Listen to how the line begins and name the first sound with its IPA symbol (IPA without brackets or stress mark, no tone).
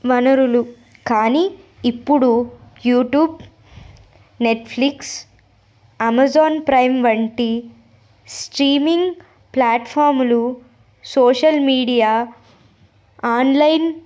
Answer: ʋ